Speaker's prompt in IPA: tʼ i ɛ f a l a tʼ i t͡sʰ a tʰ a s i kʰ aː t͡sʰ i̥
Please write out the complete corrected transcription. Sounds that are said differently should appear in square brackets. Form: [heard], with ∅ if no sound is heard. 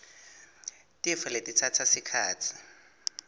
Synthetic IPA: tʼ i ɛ f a l [e] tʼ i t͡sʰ a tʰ a s i kʰ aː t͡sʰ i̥